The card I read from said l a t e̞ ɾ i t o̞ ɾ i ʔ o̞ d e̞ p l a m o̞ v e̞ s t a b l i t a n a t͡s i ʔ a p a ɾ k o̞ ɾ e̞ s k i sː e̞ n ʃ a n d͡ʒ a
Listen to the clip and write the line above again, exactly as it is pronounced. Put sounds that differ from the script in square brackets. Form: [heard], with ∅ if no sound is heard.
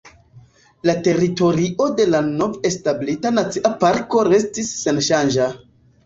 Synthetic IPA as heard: l a t e̞ ɾ i t o̞ ɾ i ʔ o̞ d e̞ [∅] l a [n] o̞ v e̞ s t a b l i t a n a t͡s i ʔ a p a ɾ k o̞ ɾ e̞ s [t] i sː e̞ n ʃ a n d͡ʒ a